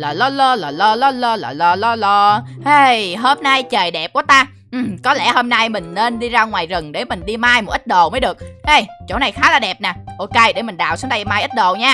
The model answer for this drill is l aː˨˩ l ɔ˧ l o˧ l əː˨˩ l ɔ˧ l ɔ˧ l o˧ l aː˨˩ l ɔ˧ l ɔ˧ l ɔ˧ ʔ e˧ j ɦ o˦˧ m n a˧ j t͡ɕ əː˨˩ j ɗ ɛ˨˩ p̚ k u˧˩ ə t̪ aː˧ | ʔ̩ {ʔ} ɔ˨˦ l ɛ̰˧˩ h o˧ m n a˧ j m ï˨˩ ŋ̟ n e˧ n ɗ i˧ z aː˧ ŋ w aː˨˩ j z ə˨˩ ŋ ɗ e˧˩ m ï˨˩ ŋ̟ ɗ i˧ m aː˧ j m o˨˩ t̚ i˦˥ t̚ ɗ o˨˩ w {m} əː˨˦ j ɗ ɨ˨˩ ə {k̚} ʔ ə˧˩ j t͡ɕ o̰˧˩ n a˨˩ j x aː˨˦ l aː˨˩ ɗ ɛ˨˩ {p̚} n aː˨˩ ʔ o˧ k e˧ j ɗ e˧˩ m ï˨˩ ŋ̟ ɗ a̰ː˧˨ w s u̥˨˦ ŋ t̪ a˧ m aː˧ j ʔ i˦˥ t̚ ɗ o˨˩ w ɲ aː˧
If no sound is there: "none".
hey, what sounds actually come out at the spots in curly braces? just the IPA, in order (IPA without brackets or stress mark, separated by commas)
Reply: k, m, k̚, p̚